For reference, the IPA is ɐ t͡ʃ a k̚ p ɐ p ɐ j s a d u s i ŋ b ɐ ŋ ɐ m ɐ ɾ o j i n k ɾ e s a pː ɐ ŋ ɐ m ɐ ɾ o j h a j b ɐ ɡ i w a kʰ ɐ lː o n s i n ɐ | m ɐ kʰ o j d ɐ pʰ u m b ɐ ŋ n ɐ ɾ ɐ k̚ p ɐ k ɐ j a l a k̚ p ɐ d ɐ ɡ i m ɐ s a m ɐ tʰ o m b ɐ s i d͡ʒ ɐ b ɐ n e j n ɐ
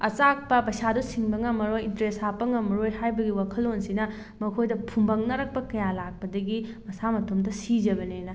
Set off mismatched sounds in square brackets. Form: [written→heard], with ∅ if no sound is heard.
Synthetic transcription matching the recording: ɐ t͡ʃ a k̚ p ɐ p ɐ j s a d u s i ŋ b ɐ ŋ ɐ m ɐ ɾ o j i n [k→t] ɾ e s a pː ɐ ŋ ɐ m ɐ ɾ o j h a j b ɐ ɡ i w a kʰ ɐ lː o n s i n ɐ | m ɐ kʰ o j d ɐ pʰ u m b ɐ ŋ n ɐ ɾ ɐ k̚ p ɐ k ɐ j a l a k̚ p ɐ d ɐ ɡ i m ɐ s a m ɐ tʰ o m [b→d] ɐ s i d͡ʒ ɐ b ɐ n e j n ɐ